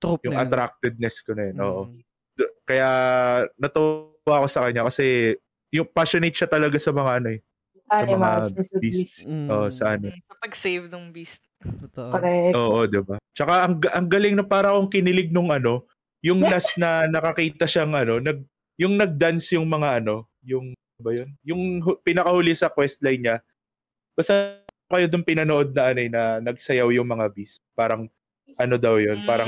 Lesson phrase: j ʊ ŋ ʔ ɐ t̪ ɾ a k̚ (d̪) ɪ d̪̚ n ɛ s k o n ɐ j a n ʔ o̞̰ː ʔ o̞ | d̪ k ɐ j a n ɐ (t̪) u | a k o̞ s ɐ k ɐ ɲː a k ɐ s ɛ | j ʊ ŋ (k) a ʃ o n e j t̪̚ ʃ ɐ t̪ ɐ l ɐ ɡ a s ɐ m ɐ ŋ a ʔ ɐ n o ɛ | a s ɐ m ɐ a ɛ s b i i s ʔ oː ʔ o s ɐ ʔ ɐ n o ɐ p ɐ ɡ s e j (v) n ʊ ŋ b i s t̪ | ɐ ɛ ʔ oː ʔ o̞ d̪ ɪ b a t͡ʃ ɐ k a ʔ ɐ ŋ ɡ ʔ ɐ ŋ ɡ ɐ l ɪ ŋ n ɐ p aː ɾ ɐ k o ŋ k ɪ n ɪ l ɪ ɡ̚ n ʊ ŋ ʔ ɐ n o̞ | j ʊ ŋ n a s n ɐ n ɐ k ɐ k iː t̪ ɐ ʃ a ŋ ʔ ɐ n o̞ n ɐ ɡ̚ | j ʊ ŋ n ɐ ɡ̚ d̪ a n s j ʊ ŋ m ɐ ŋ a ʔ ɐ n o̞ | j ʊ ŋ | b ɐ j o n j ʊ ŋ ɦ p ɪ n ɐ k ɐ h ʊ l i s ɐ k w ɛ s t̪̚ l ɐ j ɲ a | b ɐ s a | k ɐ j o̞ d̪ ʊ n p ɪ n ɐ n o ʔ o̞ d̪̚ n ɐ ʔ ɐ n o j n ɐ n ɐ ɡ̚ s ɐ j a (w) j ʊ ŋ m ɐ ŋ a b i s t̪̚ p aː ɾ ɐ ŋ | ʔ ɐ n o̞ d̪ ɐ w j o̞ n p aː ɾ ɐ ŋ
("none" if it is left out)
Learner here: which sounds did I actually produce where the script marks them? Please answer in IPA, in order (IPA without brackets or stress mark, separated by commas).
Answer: t̪, t̪, p, v, w